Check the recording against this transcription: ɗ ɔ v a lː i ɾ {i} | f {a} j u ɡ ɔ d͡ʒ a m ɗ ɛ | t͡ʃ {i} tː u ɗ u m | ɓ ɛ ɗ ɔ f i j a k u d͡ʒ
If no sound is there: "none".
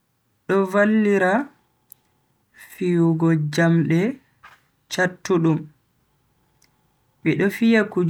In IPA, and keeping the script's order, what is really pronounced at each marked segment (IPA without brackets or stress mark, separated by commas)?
a, i, a